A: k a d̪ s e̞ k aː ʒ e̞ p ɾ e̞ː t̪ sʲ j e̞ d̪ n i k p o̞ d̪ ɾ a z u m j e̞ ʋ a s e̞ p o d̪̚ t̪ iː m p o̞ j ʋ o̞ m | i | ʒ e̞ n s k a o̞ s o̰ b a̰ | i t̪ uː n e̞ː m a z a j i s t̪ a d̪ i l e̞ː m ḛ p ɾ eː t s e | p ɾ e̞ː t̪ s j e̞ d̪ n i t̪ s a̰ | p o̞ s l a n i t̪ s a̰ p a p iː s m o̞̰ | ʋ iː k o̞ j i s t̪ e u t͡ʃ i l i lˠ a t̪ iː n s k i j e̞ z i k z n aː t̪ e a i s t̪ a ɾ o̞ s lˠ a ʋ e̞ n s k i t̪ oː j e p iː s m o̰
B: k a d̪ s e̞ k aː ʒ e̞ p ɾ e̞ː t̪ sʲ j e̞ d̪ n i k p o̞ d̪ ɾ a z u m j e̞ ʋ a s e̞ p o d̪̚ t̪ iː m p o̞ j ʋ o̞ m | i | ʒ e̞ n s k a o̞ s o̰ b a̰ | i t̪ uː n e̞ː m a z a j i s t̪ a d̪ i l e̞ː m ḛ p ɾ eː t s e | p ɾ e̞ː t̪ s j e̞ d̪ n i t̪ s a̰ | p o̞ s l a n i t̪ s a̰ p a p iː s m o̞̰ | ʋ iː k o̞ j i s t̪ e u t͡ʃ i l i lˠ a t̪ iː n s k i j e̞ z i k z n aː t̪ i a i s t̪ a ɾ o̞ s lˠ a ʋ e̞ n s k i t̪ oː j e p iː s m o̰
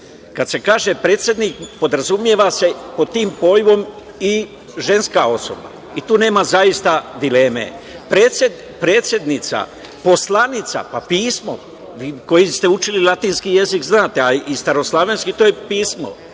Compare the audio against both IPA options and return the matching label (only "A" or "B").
A